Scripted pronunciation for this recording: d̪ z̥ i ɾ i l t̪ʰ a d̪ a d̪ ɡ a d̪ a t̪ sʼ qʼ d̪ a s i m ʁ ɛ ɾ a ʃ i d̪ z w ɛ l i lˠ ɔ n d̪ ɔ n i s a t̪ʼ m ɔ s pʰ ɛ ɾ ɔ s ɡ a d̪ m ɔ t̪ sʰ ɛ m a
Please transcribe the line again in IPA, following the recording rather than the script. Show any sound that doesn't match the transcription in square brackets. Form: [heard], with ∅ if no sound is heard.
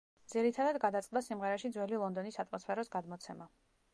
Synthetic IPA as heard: d̪ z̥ i ɾ i [∅] t̪ʰ a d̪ a d̪ ɡ a d̪ a t̪ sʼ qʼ d̪ a s i m ʁ ɛ ɾ a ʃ i d̪ z w ɛ l i lˠ ɔ n d̪ ɔ n i s a t̪ʼ m ɔ s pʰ ɛ ɾ ɔ s ɡ a d̪ m ɔ t̪ sʰ ɛ m a